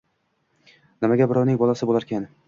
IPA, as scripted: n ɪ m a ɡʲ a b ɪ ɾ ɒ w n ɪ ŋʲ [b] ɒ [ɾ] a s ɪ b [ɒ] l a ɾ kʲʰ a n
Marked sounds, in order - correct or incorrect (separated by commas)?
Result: correct, incorrect, incorrect